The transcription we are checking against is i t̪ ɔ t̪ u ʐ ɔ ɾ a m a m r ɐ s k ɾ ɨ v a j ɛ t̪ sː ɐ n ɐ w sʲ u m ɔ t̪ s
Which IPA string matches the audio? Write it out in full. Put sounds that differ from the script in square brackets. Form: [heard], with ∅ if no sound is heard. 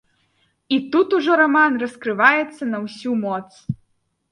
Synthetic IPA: i t̪ [u] t̪ u ʐ ɔ ɾ a m a [n] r ɐ s k ɾ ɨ v a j ɛ t̪ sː ɐ n ɐ w sʲ u m ɔ t̪ s